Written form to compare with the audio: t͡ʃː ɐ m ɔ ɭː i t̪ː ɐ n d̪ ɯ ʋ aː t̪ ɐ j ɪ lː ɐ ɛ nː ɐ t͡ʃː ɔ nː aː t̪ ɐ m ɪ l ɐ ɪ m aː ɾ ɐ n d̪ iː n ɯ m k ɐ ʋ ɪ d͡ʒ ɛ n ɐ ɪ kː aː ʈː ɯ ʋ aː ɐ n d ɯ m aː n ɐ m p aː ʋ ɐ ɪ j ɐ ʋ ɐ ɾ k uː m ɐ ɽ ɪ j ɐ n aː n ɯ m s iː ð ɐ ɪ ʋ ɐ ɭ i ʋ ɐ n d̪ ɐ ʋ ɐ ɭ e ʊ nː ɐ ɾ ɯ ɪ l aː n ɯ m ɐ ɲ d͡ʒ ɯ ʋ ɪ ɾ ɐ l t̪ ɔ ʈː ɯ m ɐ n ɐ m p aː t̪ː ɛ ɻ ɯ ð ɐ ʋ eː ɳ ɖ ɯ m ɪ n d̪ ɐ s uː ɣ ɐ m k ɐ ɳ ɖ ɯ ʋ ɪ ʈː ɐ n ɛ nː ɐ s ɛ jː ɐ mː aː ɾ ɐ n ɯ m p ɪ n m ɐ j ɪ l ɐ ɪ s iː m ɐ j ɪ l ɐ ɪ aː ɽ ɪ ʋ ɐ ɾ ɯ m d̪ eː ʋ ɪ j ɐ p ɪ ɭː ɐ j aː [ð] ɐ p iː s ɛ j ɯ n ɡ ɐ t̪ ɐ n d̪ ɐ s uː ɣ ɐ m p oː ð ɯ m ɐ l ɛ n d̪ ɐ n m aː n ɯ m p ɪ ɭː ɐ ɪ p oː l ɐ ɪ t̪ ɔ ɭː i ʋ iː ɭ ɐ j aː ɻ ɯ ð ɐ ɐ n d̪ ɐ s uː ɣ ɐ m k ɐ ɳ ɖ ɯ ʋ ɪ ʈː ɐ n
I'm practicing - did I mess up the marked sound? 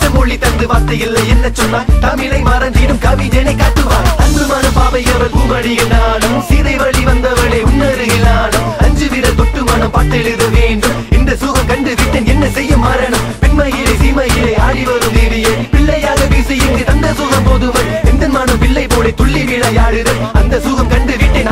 yes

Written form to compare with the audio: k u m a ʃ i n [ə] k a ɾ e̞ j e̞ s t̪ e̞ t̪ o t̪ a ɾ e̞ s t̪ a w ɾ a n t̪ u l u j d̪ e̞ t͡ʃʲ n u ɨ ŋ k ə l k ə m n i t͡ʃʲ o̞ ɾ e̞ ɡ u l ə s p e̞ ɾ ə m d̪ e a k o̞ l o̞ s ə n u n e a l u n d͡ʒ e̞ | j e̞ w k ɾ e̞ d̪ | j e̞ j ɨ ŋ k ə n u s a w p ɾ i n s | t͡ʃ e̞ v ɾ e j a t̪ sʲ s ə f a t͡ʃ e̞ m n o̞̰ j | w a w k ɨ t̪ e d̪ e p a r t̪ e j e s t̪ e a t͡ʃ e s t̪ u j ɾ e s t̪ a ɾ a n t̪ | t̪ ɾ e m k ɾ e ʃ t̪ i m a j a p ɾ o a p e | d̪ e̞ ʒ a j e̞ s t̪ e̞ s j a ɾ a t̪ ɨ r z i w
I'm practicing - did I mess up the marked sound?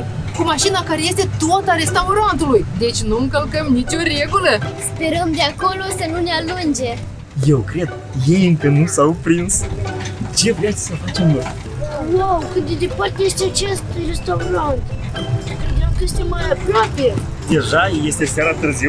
yes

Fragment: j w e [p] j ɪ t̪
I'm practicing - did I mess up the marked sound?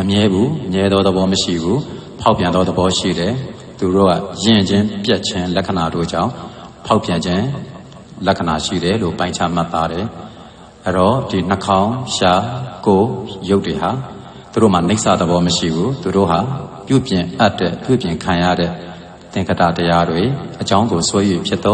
yes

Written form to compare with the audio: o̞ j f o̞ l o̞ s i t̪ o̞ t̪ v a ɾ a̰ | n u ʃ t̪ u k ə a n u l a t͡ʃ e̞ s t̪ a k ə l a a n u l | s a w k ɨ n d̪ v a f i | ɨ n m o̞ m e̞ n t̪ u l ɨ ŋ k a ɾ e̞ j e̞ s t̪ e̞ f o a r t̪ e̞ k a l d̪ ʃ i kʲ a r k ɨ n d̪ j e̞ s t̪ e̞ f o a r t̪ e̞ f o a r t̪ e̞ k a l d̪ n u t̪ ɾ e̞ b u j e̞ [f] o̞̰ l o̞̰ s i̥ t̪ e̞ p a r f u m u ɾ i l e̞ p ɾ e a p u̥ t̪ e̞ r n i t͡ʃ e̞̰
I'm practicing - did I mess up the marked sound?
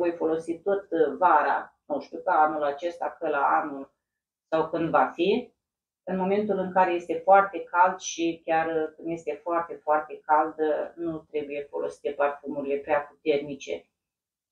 no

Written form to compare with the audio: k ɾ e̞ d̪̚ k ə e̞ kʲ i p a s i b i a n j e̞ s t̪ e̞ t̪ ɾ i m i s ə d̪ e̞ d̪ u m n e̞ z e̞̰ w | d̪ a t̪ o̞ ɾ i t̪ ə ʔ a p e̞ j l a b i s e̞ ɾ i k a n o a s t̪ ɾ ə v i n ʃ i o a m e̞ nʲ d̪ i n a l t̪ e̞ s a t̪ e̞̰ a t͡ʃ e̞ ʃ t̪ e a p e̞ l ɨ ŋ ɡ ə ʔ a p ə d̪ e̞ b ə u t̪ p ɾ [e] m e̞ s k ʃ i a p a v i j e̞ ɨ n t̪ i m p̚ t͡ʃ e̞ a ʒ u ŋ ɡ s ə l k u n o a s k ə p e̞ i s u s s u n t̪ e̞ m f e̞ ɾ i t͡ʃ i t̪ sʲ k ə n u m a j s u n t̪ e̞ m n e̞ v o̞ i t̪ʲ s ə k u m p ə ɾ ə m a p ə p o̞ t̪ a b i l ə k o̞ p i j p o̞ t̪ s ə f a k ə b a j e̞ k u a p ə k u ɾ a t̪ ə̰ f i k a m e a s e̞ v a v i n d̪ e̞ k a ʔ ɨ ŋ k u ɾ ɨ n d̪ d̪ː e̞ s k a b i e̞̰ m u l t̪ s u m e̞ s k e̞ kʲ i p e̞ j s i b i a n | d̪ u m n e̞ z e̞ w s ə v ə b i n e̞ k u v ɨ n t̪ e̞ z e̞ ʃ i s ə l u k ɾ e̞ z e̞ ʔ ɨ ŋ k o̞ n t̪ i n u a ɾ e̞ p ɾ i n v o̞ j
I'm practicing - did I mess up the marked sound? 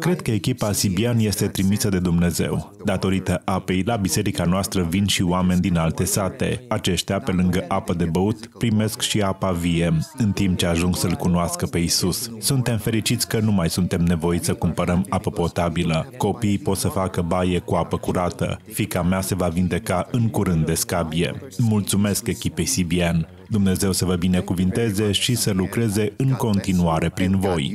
yes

